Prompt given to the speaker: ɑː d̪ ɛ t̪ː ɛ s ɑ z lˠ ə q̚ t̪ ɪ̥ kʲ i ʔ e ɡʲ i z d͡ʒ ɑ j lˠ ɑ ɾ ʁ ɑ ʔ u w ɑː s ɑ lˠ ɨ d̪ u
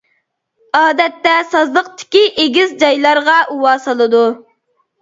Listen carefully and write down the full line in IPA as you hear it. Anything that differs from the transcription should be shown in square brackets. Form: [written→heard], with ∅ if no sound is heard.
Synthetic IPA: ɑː d̪ ɛ t̪ː ɛ s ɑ z lˠ ə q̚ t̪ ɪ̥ kʲ i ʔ e ɡʲ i z d͡ʒ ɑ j lˠ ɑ ɾ ʁ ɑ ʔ u w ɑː s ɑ lˠ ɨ d̪ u